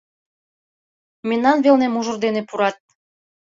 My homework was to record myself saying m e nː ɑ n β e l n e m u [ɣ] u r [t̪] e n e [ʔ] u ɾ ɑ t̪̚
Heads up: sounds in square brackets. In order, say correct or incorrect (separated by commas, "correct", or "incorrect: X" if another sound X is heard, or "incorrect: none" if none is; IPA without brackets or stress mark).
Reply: incorrect: ʒ, incorrect: d̪, incorrect: p